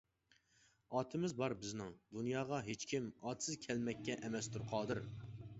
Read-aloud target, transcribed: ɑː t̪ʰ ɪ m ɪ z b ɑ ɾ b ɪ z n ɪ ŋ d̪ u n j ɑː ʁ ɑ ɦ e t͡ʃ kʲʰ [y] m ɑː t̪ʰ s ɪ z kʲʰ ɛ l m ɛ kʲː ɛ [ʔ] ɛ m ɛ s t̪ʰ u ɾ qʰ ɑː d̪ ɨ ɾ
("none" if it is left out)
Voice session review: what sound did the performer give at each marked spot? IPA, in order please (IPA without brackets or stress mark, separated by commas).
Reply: i, ʔ